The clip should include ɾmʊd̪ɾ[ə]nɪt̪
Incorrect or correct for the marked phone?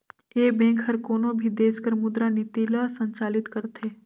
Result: incorrect: a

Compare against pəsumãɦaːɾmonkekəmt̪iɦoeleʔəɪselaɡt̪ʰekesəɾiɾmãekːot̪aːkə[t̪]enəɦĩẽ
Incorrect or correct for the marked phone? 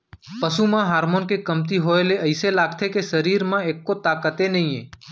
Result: correct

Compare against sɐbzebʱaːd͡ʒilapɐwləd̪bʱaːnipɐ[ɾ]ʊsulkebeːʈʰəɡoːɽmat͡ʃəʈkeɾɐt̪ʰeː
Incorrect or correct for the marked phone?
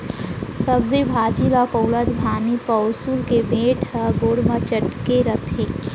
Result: incorrect: none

